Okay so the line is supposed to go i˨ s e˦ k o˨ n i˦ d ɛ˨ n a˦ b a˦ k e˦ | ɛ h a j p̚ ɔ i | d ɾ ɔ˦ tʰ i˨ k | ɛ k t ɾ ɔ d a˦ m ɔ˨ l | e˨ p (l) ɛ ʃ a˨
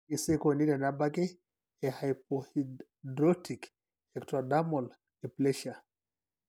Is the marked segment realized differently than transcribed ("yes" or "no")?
no